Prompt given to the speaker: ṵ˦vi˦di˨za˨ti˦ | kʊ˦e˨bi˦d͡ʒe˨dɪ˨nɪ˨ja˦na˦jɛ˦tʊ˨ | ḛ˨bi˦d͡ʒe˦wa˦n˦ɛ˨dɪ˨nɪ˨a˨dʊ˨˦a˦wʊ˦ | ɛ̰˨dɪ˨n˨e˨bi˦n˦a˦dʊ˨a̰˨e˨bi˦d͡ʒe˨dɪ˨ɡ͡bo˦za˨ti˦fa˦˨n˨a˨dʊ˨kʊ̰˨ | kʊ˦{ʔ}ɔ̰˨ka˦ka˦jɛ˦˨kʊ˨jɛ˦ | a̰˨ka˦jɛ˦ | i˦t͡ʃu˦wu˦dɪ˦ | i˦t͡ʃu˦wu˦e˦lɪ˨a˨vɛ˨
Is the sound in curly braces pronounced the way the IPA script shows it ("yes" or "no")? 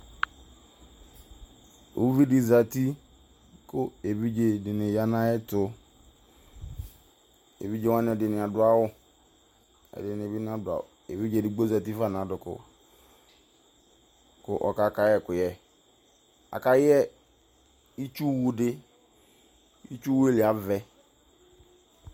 yes